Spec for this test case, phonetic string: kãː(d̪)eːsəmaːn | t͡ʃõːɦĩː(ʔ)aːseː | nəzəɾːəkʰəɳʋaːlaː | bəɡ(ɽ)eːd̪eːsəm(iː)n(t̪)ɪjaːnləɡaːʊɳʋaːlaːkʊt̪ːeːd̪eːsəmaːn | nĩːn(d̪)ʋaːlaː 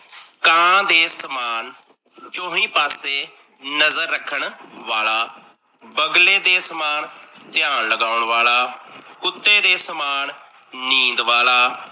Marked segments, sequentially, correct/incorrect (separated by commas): correct, incorrect, incorrect, incorrect, correct, correct